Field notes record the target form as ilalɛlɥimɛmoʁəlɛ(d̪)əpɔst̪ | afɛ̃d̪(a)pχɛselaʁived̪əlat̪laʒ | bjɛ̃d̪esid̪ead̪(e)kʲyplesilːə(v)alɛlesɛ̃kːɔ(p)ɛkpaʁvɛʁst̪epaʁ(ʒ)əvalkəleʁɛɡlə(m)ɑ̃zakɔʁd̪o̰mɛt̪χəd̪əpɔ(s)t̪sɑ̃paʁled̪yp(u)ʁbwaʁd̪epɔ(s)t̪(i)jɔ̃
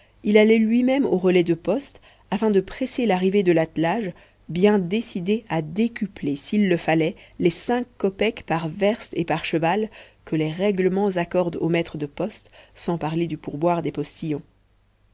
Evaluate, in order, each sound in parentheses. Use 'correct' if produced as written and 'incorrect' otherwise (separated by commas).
correct, incorrect, correct, incorrect, correct, incorrect, correct, correct, correct, correct, correct